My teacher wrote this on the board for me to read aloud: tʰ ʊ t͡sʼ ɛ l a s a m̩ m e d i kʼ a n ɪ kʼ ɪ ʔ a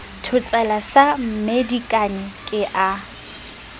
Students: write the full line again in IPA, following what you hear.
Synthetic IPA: tʰ ʊ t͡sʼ ɛ l a s a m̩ m e d i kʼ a n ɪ kʼ ɪ ʔ a